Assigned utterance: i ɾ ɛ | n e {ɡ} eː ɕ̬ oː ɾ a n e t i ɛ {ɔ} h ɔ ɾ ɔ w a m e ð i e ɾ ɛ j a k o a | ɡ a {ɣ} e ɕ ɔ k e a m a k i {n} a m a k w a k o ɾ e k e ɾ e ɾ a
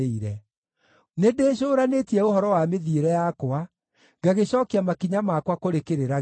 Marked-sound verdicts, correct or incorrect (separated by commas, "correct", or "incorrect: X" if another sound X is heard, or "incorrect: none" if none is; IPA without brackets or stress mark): incorrect: d, incorrect: o, correct, incorrect: ɲ